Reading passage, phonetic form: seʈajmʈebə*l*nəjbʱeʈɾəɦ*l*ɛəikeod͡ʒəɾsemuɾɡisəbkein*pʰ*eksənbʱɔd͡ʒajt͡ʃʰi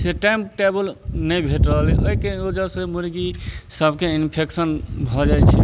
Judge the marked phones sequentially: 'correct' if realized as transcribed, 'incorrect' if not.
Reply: correct, correct, correct

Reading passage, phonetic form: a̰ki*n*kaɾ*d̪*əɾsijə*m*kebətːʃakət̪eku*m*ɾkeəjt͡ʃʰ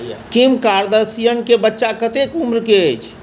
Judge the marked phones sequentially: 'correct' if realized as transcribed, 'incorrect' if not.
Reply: incorrect, correct, incorrect, correct

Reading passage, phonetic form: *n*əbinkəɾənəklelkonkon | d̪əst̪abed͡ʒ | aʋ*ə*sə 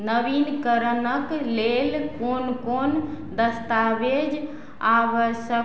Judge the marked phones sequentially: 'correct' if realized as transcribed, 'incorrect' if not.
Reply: correct, correct

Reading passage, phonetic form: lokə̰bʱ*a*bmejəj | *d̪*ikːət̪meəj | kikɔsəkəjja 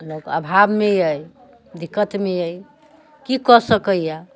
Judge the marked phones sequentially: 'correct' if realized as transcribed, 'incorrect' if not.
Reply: correct, correct

